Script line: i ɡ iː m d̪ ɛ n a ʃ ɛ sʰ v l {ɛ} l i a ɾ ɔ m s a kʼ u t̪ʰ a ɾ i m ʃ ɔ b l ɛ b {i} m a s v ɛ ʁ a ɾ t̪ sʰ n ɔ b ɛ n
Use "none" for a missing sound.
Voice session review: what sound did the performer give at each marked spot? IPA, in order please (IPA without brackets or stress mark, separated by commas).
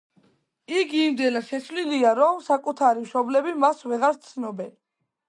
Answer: i, i